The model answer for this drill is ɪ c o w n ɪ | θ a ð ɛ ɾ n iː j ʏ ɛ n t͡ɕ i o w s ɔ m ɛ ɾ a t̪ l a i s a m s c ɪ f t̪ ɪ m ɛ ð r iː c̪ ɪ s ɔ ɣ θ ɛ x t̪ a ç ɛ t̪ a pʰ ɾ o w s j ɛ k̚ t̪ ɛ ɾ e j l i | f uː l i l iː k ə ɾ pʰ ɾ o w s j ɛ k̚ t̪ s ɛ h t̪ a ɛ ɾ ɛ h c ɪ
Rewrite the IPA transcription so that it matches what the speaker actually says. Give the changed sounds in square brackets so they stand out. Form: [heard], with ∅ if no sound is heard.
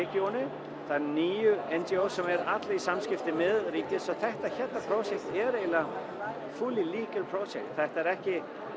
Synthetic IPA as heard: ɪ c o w n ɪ | θ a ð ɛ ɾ n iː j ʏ ɛ n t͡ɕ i o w s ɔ m ɛ ɾ a t̪ l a i s a m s c ɪ f t̪ ɪ m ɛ ð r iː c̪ ɪ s ɔ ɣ θ ɛ [h] t̪ a ç ɛ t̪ a pʰ ɾ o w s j ɛ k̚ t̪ ɛ ɾ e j l [a] | f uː l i l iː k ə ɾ pʰ ɾ o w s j ɛ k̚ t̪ [θ] ɛ h t̪ a ɛ ɾ ɛ h c ɪ